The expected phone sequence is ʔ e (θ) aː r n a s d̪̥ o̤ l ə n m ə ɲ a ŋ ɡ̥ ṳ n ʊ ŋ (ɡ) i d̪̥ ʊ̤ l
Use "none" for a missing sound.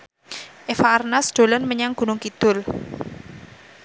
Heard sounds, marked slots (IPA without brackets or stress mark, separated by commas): f, k